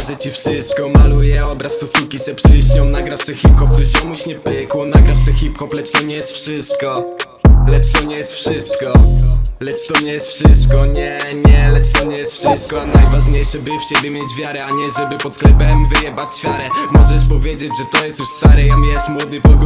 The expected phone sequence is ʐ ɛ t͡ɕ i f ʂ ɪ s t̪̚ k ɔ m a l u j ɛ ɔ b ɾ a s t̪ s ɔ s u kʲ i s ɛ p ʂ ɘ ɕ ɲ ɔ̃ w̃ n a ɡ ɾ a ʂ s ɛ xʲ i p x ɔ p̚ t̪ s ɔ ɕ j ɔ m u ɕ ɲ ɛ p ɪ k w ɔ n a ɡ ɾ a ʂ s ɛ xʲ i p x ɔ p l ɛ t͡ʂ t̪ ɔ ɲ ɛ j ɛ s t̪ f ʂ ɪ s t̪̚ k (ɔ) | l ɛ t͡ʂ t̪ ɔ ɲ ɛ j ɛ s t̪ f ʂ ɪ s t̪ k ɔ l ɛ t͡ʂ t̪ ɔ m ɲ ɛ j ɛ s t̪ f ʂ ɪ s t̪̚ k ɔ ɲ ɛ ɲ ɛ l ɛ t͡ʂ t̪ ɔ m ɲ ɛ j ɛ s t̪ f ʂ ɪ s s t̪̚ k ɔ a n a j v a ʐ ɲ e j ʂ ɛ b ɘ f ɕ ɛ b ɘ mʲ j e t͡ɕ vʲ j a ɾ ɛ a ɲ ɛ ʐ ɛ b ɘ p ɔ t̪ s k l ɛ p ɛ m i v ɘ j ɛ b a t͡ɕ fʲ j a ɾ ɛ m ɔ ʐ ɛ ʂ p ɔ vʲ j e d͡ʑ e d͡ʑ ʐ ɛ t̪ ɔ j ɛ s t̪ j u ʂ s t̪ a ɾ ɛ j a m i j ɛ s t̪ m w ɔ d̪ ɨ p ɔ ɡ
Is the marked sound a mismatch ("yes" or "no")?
no